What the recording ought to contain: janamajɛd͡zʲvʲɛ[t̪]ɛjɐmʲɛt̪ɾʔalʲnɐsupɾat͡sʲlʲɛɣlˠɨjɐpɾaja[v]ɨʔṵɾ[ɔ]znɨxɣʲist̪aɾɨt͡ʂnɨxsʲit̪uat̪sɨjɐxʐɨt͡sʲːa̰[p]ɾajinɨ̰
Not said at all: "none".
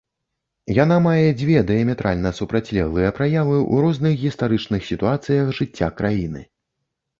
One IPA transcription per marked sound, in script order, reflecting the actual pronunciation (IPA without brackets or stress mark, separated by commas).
d̪, v, ɔ, k